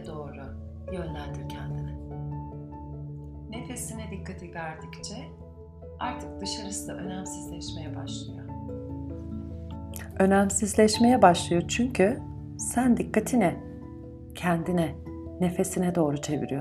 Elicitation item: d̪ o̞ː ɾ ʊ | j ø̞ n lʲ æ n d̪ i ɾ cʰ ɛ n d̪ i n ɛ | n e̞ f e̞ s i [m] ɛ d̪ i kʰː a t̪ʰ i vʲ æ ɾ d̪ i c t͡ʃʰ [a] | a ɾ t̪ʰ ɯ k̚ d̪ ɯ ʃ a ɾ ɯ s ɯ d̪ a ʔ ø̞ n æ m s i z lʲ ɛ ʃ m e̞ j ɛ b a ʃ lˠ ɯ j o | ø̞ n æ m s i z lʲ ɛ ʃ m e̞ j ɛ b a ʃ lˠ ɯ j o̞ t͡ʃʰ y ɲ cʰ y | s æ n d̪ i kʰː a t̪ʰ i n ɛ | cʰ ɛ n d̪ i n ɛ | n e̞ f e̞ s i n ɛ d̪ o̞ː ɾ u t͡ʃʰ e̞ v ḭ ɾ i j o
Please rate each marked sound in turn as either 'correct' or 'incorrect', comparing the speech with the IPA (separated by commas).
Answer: incorrect, incorrect